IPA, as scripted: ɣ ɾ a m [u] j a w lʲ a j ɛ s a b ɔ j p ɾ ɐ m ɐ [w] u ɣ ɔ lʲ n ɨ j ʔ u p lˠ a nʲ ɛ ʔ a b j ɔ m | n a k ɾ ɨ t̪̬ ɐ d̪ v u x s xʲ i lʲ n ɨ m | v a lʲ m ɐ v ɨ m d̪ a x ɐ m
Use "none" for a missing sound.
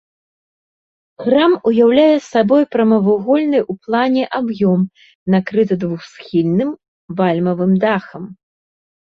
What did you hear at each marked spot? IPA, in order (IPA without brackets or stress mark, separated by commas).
u, v